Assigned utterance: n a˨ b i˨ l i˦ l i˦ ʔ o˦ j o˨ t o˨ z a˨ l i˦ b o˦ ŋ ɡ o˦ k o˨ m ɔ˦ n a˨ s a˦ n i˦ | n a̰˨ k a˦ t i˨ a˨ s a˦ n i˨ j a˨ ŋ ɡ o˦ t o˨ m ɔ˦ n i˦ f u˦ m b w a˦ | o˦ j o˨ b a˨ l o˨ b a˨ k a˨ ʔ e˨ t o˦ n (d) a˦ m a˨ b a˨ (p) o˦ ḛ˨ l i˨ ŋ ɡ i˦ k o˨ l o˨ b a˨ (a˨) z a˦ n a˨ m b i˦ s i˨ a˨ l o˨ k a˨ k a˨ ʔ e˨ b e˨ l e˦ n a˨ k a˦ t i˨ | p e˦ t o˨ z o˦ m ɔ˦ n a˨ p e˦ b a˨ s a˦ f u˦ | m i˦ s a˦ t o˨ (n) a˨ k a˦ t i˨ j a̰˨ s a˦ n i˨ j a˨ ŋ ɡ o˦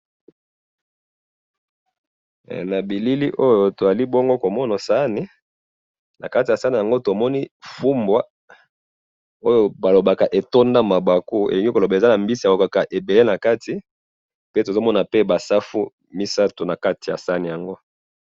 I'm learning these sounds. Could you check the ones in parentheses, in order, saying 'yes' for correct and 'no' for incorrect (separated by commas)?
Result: yes, no, no, yes